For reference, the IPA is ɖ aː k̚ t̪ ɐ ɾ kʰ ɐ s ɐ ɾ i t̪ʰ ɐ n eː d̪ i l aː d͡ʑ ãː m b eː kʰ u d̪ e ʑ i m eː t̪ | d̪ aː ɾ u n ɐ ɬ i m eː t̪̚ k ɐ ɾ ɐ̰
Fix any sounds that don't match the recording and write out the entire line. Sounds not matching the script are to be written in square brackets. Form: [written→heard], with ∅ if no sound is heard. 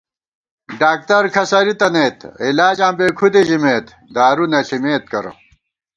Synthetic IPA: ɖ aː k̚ t̪ ɐ ɾ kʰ ɐ s ɐ ɾ i [t̪ʰ→t̪] ɐ n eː [d̪→t̪] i l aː d͡ʑ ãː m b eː kʰ u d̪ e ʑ i m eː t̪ | d̪ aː ɾ u n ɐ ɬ i m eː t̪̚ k ɐ ɾ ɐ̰